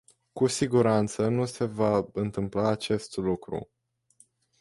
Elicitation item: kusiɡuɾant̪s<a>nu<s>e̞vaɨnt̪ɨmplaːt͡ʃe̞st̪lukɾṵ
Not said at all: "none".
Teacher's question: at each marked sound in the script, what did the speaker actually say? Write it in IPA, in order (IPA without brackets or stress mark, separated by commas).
ə, s